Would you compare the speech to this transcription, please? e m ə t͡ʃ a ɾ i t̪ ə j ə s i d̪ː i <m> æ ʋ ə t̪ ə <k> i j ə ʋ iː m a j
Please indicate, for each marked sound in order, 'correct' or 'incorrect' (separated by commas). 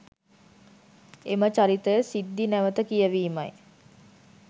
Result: incorrect, correct